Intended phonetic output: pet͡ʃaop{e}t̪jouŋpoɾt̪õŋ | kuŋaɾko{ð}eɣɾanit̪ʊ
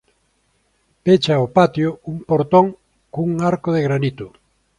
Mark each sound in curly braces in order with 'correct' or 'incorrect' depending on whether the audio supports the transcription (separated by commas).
incorrect, correct